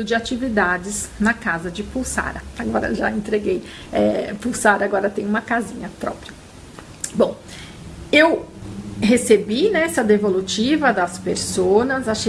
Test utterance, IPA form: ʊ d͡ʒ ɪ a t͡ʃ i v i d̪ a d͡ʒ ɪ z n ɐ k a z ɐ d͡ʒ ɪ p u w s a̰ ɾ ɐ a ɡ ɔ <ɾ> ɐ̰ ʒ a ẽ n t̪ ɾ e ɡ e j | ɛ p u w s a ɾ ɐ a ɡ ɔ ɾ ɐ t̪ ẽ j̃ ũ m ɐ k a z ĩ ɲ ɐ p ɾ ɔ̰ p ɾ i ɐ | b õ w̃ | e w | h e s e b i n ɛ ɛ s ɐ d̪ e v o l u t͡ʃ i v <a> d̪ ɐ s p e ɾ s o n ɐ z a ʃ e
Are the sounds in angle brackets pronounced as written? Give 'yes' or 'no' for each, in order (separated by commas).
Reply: yes, no